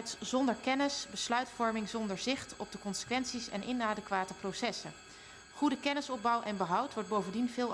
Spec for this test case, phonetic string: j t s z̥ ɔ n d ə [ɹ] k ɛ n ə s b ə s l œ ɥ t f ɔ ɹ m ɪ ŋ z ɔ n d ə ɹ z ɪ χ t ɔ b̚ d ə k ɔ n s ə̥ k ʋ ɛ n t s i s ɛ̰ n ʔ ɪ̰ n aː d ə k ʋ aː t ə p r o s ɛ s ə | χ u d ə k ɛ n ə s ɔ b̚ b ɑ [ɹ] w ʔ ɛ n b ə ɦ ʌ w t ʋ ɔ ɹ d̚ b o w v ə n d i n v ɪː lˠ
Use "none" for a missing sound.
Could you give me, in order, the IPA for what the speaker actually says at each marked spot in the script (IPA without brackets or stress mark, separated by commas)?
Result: ɹ, none